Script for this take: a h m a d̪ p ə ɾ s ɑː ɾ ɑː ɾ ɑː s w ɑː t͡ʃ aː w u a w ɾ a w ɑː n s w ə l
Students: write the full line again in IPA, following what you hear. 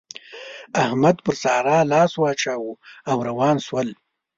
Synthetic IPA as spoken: a h m a d̪ p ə ɾ s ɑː ɾ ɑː l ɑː s w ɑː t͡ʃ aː w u a w ɾ a w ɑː n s w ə l